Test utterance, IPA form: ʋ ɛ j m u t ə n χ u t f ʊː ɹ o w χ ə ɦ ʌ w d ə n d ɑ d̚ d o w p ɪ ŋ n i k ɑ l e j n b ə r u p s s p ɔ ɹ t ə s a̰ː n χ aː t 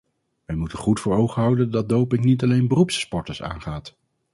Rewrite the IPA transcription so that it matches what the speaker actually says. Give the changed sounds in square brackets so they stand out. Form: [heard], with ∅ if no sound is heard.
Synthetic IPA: ʋ ɛ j m u t ə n χ u t f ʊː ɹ o w χ ə ɦ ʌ w d ə n d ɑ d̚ d o w p ɪ ŋ n i [t] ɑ l e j n b ə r u p s s p ɔ ɹ t ə s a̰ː n χ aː t